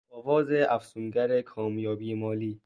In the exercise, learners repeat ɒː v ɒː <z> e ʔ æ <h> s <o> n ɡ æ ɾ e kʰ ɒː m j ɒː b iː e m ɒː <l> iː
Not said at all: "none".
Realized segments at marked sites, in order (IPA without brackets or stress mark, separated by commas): z, f, u, l